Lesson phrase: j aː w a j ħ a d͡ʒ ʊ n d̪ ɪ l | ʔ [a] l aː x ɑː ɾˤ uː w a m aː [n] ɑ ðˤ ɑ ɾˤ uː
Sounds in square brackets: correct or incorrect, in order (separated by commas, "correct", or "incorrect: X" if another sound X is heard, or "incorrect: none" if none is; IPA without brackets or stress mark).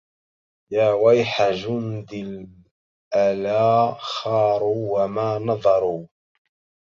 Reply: correct, correct